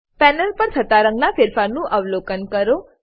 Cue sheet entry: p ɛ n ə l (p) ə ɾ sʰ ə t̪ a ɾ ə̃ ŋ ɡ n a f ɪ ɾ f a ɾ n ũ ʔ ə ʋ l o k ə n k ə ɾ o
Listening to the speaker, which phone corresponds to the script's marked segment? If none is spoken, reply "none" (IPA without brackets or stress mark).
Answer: p